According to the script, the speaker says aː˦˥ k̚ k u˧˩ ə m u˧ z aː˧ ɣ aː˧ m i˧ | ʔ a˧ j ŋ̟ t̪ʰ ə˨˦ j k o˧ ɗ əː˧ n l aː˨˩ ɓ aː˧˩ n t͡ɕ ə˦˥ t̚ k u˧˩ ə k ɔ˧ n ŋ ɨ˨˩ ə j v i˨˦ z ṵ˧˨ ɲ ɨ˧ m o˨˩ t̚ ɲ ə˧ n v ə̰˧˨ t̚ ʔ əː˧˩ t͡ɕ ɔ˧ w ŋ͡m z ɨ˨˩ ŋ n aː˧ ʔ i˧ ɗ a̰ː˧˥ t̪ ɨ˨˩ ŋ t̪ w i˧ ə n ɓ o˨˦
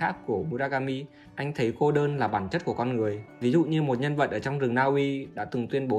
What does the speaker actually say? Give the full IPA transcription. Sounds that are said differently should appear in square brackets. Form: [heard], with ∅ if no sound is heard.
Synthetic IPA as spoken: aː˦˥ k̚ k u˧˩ ə m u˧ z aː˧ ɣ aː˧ m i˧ | ʔ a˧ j ŋ̟ t̪ʰ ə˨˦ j k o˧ ɗ əː˧ n l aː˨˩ ɓ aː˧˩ n t͡ɕ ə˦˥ t̚ k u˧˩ ə k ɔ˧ n ŋ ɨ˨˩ ə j v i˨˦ z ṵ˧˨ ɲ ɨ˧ m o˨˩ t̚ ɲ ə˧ n v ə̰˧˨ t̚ ʔ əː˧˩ t͡ɕ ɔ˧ w ŋ͡m z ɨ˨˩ ŋ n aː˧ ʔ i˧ ɗ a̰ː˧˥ t̪ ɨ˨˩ ŋ t̪ w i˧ ə n ɓ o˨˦